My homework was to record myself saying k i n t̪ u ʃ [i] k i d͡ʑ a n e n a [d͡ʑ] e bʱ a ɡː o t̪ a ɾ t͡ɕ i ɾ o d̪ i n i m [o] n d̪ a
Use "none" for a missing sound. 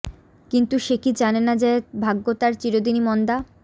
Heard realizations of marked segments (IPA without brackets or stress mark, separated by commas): e, d͡ʑ, ɔ